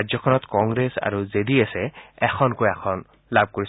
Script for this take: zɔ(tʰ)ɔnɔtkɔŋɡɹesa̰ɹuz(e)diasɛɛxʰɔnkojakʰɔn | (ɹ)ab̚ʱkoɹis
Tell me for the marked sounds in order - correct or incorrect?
incorrect: kʰ, correct, incorrect: l

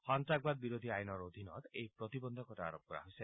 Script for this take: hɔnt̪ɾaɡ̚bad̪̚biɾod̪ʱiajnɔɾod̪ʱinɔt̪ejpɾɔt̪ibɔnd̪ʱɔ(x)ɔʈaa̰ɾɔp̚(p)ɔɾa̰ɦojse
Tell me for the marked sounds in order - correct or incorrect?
incorrect: k, incorrect: k

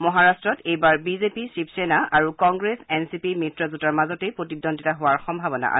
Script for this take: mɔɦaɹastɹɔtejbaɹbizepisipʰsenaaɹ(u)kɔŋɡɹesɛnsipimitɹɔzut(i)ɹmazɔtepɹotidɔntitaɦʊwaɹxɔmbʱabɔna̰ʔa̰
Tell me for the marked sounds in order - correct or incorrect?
correct, incorrect: a

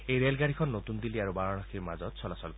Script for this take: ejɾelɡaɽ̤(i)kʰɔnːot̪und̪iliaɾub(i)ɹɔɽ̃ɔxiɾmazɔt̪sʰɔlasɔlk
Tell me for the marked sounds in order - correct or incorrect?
correct, incorrect: a

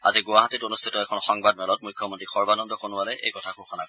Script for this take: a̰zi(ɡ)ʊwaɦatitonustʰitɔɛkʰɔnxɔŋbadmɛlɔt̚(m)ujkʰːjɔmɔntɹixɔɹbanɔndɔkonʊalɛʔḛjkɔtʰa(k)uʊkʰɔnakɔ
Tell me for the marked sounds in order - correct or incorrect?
correct, correct, correct

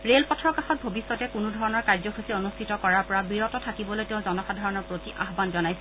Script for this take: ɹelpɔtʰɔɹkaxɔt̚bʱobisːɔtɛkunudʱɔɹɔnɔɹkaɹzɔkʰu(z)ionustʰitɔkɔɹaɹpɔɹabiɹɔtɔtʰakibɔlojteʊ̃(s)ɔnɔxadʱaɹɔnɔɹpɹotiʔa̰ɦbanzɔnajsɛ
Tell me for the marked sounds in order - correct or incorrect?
incorrect: s, incorrect: z

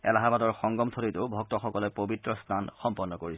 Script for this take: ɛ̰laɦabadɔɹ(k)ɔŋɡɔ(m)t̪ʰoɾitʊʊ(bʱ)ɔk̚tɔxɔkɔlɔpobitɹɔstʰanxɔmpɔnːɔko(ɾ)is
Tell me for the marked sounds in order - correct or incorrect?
incorrect: x, correct, correct, incorrect: ɹ

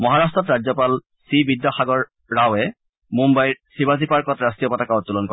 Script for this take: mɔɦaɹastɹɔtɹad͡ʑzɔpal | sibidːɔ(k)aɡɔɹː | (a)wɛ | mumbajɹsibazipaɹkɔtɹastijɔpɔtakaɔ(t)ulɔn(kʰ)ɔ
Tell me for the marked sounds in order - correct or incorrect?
incorrect: x, correct, correct, incorrect: k

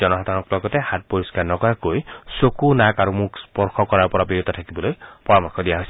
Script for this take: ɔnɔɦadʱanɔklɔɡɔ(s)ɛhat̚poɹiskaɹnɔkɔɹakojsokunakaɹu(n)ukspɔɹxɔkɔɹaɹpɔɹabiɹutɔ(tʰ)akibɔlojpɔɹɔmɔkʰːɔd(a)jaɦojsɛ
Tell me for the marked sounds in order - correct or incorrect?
incorrect: t, incorrect: m, correct, incorrect: i

